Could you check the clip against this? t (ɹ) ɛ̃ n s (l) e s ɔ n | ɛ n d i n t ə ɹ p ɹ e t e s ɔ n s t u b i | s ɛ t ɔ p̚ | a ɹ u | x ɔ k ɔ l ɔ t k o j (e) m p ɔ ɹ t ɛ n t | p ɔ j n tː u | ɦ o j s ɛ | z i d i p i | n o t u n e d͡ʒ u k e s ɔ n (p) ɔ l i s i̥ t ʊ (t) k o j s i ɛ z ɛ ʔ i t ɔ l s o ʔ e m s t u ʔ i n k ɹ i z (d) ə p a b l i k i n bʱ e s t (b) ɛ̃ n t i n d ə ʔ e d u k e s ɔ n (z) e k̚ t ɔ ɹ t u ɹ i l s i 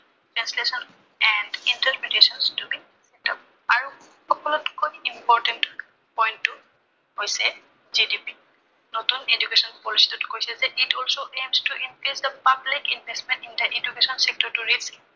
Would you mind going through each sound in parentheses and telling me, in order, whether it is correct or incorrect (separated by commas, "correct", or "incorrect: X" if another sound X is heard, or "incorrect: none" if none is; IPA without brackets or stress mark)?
correct, correct, incorrect: i, correct, correct, correct, incorrect: m, incorrect: s